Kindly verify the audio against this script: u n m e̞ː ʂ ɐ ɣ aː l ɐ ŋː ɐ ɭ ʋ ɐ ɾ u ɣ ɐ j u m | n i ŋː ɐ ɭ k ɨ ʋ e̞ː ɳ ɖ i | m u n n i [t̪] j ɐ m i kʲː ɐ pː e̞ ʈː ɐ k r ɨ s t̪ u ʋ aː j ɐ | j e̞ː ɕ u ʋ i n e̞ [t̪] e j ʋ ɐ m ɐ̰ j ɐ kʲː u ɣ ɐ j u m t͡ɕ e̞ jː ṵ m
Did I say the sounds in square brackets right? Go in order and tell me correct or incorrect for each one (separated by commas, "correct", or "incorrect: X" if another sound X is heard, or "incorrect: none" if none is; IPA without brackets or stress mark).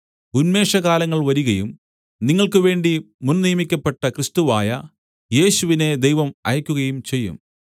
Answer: incorrect: none, incorrect: d̪